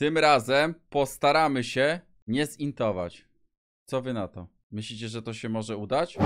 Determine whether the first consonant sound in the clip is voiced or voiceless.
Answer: voiceless